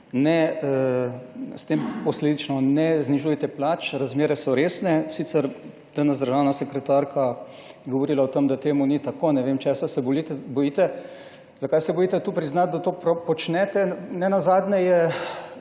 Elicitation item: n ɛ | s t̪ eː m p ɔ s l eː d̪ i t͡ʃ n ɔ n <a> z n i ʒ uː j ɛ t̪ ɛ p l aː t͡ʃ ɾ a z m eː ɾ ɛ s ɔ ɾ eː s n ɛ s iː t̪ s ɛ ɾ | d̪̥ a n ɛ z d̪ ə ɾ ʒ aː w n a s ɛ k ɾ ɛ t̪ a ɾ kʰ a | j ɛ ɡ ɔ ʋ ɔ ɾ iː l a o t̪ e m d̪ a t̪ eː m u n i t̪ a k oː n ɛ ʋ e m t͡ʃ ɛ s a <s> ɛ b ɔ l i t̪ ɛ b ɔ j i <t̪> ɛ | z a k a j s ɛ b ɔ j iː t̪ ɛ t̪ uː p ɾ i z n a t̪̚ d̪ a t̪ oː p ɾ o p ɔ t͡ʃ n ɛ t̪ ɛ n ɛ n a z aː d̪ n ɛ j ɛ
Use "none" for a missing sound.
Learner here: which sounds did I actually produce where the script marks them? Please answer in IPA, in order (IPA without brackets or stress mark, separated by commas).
ɛ, s, t̪